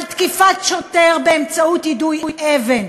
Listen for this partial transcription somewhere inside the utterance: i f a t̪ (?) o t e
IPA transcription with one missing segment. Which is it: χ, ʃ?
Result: ʃ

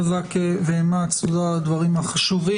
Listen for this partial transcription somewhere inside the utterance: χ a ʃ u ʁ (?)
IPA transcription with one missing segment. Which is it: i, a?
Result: i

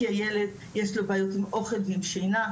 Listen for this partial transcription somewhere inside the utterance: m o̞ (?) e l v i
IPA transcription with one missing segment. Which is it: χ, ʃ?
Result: χ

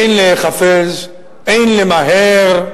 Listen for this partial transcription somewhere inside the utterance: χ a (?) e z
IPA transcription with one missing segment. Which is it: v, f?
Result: f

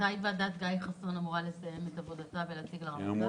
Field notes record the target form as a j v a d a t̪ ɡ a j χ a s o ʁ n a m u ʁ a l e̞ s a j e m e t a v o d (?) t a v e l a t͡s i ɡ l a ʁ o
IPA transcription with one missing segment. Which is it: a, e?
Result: a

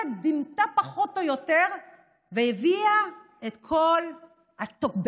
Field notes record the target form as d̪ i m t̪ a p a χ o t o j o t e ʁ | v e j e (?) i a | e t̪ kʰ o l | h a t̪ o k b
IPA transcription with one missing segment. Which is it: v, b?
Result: v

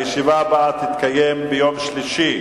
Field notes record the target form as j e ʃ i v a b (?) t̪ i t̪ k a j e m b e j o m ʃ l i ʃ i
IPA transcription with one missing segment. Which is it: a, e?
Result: a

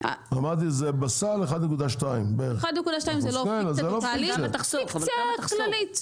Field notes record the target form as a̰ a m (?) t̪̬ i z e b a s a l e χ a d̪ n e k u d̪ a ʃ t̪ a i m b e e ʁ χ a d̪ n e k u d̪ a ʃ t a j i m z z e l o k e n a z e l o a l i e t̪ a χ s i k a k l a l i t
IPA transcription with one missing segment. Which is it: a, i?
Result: a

